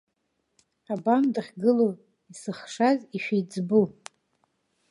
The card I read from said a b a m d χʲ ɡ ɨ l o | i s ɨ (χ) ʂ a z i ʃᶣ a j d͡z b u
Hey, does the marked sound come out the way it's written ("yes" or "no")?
yes